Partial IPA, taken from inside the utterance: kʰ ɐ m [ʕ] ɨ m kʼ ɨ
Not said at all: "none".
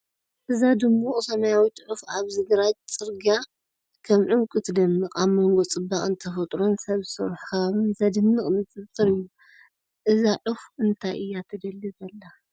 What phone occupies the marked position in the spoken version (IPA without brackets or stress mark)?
ʕ